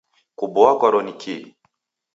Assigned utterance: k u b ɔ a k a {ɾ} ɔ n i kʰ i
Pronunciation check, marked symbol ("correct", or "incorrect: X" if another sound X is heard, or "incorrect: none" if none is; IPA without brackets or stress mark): correct